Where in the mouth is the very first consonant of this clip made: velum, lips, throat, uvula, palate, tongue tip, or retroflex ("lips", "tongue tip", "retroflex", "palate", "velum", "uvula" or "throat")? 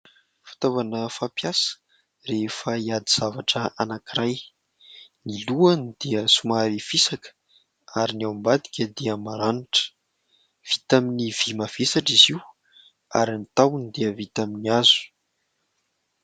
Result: lips